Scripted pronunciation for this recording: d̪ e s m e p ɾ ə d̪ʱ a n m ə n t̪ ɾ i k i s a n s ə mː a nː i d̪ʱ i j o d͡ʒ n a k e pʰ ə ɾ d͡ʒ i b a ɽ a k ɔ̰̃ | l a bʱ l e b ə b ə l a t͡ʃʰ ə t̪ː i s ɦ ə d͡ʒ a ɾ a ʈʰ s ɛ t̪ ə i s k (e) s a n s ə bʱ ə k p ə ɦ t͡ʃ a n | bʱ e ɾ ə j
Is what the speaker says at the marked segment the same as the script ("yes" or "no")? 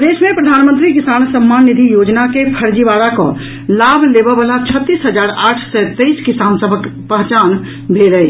no